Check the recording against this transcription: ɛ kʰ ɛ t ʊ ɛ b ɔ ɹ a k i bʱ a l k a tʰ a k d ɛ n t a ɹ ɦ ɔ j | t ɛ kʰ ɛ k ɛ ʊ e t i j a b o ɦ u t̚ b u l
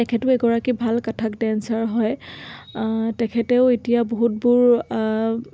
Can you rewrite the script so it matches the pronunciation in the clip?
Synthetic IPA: ɛ kʰ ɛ t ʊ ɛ ɡ ɔ ɹ a k i bʱ a l k a tʰ a k d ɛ n s a ɹ ɦ ɔ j | t ɛ kʰ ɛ t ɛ ʊ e t i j a b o ɦ u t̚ b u ɹ